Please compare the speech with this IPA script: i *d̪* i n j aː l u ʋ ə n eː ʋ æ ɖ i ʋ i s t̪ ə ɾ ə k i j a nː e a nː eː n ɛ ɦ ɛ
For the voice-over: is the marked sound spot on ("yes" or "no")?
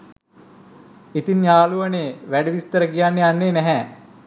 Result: no